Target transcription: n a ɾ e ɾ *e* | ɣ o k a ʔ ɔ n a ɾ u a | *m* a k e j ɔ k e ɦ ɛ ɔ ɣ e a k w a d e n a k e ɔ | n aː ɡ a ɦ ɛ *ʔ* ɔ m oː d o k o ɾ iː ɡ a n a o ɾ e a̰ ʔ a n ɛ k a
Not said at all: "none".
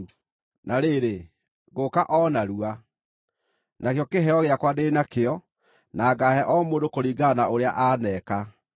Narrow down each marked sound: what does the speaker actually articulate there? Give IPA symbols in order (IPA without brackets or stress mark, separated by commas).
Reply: e, n, ʔ